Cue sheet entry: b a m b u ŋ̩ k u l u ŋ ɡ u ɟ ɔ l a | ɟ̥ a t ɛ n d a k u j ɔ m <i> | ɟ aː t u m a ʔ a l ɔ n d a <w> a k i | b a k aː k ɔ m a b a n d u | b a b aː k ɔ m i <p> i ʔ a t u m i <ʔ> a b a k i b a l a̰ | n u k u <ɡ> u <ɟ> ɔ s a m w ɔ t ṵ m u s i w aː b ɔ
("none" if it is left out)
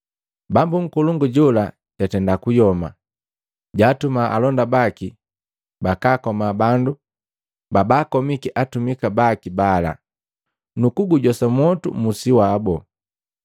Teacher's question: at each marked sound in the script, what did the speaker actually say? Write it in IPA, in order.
a, b, k, k, ɡ, ɟ

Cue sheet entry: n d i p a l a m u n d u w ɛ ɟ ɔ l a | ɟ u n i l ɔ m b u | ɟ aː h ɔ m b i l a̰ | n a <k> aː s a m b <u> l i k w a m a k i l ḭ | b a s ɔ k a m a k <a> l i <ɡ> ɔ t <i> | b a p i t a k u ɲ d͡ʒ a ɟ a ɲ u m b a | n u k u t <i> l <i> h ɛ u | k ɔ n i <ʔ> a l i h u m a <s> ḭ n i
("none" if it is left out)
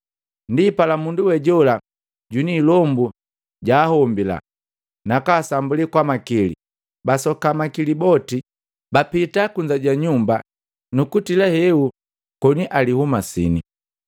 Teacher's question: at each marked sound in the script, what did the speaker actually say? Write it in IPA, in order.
k, u, i, b, i, i, a, ʔ, s

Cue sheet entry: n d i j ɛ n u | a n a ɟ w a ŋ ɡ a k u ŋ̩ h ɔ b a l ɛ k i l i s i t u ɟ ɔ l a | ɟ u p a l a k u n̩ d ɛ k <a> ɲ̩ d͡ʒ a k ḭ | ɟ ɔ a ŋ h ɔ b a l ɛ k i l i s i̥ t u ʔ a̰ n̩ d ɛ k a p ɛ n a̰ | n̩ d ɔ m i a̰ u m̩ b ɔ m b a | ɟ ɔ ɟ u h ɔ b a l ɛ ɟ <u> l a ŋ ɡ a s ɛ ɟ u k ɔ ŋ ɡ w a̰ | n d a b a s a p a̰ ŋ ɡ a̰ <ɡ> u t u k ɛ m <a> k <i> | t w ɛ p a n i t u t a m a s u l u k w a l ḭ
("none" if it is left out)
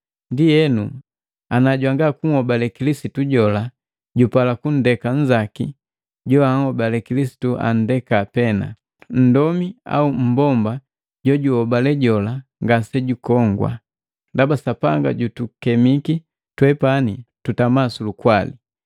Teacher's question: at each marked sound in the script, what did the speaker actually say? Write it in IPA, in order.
a, ɔ, ɟ, i, i

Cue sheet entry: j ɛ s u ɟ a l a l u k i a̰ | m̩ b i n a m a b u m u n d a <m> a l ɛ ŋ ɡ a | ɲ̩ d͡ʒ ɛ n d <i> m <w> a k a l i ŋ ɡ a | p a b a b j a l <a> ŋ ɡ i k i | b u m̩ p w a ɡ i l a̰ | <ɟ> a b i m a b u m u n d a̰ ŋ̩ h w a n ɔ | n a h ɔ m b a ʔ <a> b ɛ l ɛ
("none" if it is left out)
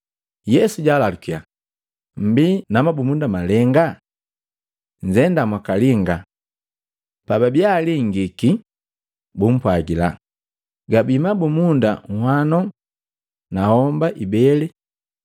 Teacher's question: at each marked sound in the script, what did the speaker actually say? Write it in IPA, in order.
m, a, w, i, ɡ, i

